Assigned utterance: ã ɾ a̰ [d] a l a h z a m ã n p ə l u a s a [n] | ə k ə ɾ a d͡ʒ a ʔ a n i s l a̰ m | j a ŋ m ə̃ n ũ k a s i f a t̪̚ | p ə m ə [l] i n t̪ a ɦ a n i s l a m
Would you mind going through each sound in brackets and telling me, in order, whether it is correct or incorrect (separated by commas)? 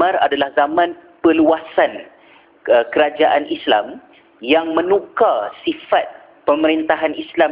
correct, correct, incorrect